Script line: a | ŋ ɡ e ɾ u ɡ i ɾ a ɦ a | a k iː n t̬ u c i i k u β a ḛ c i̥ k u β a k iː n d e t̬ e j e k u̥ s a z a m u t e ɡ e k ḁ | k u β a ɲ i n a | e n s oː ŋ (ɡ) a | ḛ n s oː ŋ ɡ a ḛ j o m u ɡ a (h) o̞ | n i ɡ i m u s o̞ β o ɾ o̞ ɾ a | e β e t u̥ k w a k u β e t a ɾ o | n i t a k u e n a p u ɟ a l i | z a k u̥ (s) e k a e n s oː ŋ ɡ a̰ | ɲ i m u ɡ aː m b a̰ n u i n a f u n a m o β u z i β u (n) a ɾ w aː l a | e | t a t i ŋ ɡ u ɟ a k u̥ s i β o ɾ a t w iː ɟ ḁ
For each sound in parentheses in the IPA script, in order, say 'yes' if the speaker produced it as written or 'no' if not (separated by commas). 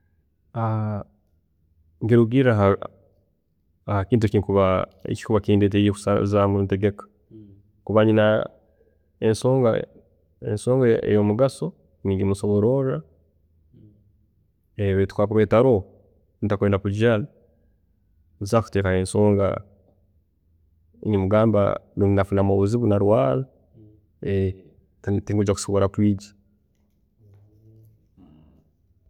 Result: yes, no, no, yes